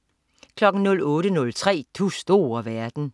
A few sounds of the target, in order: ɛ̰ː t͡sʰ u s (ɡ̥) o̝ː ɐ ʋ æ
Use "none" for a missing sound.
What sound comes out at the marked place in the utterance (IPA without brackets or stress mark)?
d̥